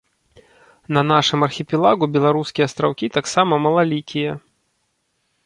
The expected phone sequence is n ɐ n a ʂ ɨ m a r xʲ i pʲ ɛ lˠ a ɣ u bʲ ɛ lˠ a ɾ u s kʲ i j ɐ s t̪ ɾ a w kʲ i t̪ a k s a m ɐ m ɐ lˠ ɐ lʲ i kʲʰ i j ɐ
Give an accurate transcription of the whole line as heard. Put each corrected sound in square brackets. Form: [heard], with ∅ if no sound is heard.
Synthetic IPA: n ɐ n a ʂ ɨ m [ɐ] r xʲ i pʲ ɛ lˠ a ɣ u bʲ ɛ lˠ a ɾ u s kʲ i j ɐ s t̪ ɾ a w kʲ i t̪ a k s a m ɐ m ɐ lˠ [a] lʲ i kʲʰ i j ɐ